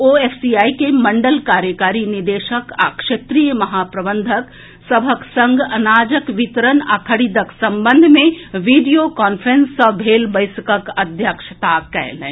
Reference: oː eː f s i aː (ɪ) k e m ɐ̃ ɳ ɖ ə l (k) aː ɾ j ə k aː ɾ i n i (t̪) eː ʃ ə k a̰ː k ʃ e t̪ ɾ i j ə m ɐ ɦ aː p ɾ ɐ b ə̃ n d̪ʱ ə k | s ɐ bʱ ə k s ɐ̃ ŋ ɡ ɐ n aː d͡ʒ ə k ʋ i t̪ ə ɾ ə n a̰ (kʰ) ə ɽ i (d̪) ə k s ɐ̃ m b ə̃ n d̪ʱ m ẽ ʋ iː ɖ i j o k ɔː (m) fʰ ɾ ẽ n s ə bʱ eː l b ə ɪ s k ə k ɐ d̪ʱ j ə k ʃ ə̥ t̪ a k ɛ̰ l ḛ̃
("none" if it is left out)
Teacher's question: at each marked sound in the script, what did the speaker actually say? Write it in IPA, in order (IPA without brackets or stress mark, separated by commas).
i, k, d̪, kʰ, d̪, n